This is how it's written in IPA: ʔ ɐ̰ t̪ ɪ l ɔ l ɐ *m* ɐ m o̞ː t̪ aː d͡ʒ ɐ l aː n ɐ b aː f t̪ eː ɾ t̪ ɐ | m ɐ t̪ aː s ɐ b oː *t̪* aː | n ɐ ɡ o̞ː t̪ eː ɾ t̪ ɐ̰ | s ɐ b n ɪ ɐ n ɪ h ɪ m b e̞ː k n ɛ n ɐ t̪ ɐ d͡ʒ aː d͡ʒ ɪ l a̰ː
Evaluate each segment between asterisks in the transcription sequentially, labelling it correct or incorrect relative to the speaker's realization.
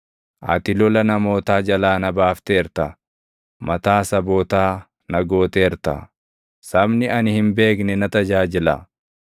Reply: incorrect: n, correct

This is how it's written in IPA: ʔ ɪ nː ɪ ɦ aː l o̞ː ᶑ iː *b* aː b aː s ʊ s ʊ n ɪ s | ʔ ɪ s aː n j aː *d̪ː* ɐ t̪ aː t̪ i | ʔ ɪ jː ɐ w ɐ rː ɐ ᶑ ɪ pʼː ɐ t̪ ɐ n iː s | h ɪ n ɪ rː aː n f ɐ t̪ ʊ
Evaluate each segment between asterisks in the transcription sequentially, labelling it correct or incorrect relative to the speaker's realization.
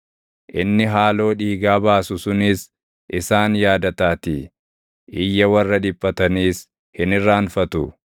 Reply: incorrect: ɡ, incorrect: d̪

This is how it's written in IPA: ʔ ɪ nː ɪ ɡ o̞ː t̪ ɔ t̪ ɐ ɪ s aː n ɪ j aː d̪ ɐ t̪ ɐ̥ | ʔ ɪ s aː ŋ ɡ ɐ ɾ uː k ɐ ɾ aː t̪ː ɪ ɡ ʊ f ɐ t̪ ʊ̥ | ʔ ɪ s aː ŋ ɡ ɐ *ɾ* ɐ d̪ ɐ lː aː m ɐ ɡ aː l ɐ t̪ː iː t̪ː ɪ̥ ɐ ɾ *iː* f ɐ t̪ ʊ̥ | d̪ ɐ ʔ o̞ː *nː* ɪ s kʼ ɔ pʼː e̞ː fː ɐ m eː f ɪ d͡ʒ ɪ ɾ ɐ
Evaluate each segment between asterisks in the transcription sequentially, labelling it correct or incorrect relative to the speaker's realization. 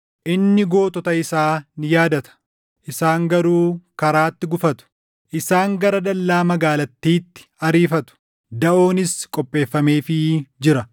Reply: correct, correct, incorrect: n

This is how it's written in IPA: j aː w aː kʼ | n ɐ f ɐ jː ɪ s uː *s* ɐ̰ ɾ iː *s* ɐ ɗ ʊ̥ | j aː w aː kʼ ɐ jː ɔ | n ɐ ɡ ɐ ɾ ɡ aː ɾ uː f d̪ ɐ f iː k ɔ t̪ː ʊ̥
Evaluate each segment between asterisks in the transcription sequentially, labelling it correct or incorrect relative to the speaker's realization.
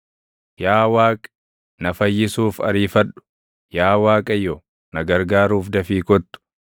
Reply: incorrect: f, incorrect: f

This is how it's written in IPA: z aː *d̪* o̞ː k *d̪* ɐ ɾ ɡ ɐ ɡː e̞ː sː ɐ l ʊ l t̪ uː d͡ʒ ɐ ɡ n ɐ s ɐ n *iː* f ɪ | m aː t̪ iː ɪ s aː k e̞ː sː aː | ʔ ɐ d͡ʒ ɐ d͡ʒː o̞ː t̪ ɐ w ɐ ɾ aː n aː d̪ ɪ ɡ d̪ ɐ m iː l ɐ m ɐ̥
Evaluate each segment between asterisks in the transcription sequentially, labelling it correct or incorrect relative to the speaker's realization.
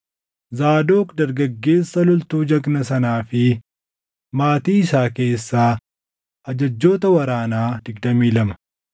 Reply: correct, correct, incorrect: aː

